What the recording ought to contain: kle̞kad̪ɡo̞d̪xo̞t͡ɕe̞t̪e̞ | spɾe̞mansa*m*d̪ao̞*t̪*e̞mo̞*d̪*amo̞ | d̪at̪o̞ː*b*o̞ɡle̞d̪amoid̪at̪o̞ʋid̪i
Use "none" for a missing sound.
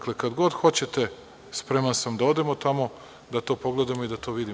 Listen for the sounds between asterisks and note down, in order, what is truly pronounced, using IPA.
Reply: m, d̪, t̪, p

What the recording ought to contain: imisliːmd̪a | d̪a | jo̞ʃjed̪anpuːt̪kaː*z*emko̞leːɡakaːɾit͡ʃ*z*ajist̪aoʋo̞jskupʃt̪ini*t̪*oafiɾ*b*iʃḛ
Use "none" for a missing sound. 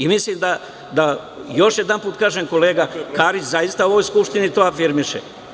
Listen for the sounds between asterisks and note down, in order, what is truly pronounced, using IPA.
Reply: ʒ, z, t̪, m

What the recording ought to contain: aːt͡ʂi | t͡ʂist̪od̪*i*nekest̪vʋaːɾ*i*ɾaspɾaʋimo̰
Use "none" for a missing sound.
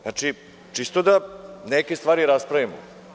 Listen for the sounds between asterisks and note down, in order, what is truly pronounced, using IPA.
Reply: a, i

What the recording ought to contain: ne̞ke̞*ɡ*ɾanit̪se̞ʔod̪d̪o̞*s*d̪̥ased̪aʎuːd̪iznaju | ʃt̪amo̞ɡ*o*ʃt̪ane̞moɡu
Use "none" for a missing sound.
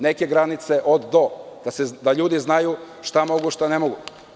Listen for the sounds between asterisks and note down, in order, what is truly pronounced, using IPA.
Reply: ɡ, none, u

